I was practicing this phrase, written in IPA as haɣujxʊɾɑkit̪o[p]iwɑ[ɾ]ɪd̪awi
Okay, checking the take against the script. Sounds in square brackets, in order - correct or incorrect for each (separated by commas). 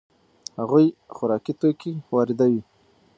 incorrect, correct